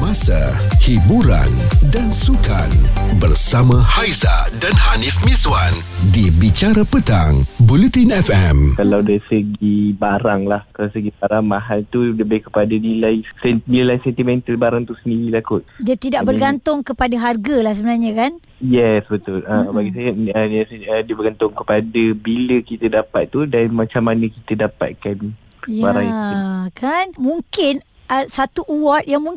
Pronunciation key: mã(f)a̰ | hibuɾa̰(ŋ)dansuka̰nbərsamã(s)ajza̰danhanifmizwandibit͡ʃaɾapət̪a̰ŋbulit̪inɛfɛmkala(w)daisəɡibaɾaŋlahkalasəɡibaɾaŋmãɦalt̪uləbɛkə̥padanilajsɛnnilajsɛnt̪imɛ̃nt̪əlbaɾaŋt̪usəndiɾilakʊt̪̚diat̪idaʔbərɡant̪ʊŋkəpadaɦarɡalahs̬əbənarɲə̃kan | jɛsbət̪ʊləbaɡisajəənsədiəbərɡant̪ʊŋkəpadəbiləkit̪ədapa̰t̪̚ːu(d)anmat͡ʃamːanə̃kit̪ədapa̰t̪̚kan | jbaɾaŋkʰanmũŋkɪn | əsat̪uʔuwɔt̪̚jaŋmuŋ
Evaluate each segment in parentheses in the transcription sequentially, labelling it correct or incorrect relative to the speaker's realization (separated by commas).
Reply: incorrect, incorrect, incorrect, correct, correct